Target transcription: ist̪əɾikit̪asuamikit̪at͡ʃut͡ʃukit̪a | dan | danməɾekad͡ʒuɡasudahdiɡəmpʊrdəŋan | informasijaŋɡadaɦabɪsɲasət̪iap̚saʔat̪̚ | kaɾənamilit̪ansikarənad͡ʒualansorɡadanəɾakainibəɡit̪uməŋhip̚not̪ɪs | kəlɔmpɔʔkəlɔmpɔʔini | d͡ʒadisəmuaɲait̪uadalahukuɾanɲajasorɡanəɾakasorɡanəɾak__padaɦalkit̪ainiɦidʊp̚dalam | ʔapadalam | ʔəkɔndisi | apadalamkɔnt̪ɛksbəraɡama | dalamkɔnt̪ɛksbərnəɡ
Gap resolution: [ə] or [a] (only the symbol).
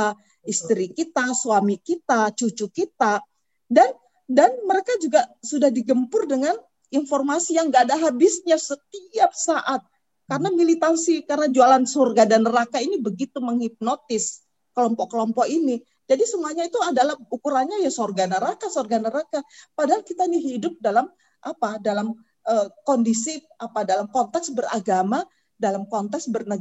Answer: a